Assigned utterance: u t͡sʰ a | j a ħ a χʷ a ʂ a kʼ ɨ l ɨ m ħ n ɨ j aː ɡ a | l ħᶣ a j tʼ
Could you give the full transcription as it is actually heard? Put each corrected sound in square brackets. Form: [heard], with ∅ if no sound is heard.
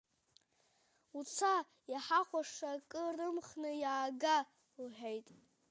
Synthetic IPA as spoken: u t͡sʰ a | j a ħ a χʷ a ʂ a kʼ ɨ [r] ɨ m [χ] n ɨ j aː ɡ a | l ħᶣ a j tʼ